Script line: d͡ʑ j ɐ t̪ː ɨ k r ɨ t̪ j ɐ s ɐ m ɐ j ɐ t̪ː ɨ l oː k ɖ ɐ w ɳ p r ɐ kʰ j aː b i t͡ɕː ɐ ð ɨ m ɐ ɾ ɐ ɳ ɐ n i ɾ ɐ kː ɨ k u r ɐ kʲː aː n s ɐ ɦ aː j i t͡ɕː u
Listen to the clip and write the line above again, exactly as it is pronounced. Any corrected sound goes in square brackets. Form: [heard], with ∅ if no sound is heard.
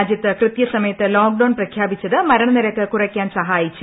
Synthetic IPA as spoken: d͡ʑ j ɐ t̪ː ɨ k r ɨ t̪ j ɐ s ɐ m ɐ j ɐ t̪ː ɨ l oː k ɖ ɐ w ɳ p r ɐ kʰ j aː b i t͡ɕː ɐ ð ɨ m ɐ ɾ ɐ ɳ ɐ n i ɾ ɐ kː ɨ k u r ɐ kʲː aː n s ɐ ɦ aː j i t͡ɕː u